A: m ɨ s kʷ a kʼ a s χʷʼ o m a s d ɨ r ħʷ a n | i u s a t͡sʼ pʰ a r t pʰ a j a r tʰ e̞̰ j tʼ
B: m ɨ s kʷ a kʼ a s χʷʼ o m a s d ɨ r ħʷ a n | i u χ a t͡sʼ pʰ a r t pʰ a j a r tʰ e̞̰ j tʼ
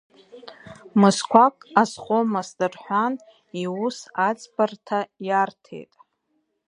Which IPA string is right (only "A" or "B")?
A